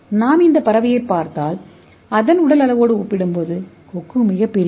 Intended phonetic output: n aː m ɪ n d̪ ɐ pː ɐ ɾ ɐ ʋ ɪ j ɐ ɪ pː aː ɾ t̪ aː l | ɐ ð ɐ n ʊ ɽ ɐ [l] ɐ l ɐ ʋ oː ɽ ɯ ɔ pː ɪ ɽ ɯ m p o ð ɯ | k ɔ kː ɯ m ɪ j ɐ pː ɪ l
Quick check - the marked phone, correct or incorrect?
correct